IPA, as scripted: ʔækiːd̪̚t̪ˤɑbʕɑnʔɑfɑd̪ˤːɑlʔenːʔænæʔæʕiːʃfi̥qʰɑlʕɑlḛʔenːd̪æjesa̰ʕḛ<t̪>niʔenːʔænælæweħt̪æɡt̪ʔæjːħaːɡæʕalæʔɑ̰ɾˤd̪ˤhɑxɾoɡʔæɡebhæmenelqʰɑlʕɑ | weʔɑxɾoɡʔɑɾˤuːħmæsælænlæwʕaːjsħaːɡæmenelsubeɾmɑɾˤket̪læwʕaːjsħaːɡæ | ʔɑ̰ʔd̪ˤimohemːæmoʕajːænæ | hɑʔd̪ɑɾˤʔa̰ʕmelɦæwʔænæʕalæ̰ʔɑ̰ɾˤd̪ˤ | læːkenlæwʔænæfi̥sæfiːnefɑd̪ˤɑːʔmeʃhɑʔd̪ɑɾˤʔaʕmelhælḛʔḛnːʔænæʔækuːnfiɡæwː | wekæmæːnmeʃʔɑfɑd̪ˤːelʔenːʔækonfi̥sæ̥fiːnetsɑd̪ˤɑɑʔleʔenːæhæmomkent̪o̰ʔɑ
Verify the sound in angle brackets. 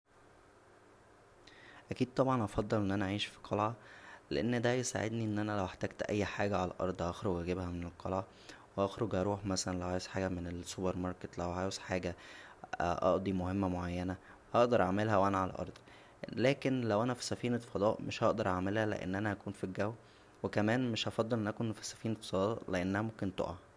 incorrect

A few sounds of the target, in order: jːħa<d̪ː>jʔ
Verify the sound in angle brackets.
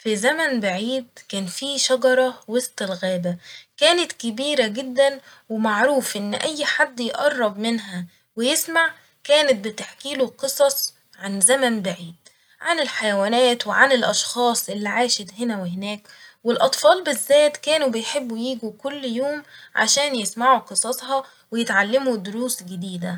correct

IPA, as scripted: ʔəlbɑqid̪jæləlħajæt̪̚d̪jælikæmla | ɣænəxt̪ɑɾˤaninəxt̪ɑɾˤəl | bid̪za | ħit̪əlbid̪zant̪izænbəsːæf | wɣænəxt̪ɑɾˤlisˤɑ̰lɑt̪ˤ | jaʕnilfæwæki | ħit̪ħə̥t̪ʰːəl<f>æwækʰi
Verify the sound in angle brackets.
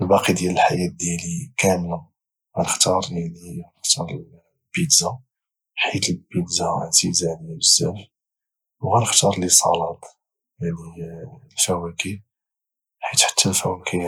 correct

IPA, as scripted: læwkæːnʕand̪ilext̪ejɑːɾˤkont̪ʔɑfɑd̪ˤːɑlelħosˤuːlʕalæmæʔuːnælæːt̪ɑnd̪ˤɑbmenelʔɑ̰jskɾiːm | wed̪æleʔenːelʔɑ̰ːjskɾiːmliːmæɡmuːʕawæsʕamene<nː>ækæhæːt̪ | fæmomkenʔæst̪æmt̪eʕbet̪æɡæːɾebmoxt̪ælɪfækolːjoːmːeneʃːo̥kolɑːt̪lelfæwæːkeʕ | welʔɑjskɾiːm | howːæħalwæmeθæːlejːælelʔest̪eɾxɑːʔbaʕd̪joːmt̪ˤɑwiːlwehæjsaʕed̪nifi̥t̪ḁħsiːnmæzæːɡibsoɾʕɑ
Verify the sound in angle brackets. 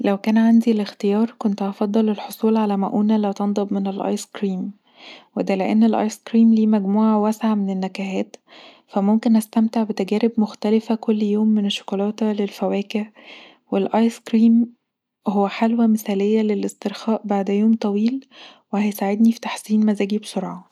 correct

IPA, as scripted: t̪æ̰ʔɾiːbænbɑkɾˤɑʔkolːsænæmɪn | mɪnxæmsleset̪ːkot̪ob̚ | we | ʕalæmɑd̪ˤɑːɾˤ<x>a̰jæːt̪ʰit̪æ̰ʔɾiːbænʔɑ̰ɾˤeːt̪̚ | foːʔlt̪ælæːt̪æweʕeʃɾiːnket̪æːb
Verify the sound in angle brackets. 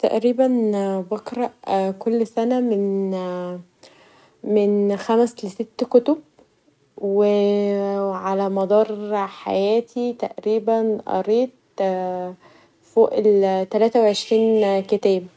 incorrect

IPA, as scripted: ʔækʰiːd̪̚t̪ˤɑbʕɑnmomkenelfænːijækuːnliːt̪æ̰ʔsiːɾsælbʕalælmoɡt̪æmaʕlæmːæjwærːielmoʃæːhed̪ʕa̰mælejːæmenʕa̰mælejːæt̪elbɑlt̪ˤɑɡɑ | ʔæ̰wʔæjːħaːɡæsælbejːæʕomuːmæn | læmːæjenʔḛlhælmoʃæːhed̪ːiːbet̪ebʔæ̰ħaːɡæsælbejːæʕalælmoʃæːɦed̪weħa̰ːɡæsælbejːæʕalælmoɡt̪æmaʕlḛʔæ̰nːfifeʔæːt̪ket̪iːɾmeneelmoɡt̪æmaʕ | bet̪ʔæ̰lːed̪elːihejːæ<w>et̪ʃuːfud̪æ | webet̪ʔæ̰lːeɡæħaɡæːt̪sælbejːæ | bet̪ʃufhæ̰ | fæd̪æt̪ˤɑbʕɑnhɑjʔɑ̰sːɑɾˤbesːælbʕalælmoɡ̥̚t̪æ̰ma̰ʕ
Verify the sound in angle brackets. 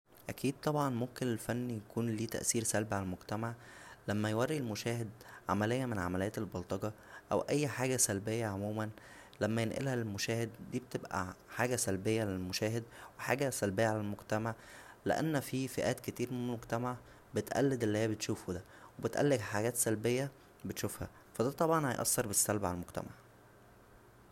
incorrect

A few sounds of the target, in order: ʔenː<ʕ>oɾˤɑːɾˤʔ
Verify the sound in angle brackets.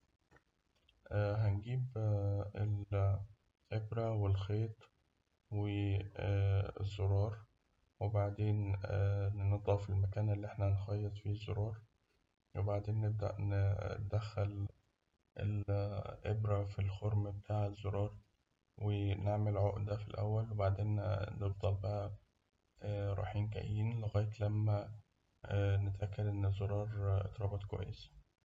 incorrect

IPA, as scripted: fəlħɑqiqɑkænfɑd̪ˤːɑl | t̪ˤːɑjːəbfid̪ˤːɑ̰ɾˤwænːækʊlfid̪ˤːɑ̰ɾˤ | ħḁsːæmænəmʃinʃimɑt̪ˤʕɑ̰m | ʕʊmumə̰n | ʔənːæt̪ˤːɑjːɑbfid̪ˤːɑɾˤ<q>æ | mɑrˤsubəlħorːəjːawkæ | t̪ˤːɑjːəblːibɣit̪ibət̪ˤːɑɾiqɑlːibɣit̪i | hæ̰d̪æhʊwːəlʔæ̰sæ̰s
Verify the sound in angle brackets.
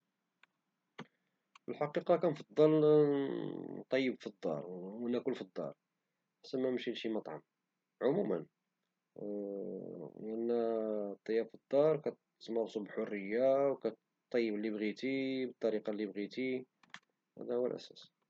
incorrect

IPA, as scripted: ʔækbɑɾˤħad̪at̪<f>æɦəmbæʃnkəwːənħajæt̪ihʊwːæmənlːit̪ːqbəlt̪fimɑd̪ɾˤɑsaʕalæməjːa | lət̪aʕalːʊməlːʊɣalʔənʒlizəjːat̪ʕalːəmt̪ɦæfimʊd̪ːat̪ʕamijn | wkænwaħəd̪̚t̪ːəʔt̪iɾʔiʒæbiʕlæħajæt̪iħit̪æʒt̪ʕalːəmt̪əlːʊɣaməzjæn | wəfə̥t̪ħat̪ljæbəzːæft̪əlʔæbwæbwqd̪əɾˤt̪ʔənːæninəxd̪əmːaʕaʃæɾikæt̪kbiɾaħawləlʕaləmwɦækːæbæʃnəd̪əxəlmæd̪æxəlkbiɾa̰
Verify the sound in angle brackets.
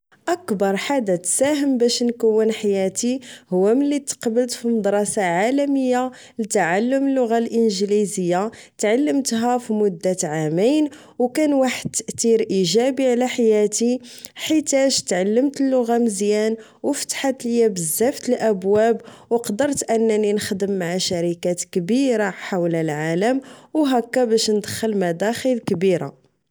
incorrect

